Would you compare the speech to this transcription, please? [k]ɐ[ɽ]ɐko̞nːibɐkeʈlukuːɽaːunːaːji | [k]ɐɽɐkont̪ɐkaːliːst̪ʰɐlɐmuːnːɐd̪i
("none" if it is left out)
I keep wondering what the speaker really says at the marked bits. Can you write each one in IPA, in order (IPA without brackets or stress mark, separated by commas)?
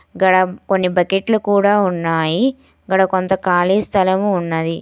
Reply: ɡ, ɽ, ɡ